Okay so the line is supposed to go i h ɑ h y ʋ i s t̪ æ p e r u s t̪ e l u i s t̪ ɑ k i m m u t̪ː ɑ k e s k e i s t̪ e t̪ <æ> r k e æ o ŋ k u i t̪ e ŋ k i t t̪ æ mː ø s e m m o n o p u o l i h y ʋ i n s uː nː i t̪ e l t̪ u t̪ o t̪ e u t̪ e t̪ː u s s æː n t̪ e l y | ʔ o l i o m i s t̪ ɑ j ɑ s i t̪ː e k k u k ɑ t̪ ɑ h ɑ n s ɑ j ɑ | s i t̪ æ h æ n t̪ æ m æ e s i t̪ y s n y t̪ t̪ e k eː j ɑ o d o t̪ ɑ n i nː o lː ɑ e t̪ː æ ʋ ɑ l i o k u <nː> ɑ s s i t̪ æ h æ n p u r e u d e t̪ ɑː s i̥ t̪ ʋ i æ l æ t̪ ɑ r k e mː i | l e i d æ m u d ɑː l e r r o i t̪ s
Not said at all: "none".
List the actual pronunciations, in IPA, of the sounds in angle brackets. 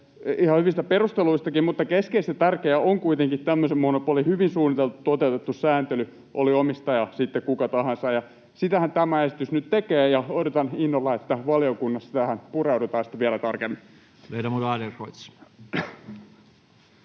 æ, nː

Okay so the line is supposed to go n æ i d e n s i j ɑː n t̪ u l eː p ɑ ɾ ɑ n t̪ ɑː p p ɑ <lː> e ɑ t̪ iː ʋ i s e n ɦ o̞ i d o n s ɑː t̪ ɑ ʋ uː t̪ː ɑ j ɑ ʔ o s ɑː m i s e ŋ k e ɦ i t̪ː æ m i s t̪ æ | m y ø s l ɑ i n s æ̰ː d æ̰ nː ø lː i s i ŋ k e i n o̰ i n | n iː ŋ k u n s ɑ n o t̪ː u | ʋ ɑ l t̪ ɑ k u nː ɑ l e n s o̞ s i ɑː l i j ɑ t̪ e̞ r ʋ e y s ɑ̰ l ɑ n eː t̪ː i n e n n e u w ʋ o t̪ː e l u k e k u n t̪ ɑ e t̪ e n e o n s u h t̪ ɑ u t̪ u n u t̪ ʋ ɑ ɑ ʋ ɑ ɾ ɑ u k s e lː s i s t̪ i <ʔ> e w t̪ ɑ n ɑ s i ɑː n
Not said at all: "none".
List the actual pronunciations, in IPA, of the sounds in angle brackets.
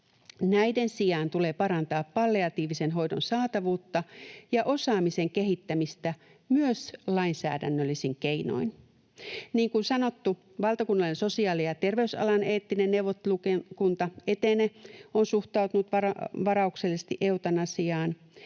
lː, ʔ

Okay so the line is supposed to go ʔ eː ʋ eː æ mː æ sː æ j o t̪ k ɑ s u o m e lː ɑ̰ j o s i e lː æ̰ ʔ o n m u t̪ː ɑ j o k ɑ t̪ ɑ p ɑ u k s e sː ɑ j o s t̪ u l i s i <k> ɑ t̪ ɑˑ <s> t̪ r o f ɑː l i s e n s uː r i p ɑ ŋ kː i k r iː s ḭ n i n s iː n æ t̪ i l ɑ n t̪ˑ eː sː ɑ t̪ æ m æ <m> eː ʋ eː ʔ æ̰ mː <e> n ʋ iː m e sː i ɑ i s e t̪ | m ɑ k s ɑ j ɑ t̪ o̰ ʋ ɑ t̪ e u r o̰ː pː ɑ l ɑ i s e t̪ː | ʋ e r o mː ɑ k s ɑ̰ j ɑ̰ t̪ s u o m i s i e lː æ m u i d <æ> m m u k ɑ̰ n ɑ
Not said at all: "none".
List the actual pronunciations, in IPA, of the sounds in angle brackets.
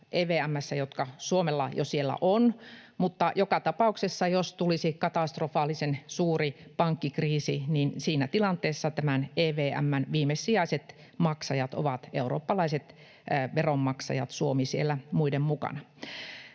k, s, n, æ, e

